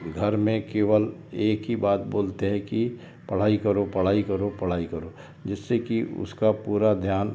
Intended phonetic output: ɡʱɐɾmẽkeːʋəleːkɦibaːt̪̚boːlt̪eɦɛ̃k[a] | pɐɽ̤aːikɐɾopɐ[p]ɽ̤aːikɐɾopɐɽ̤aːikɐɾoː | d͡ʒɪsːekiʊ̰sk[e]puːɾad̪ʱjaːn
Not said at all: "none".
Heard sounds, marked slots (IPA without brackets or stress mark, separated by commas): i, none, a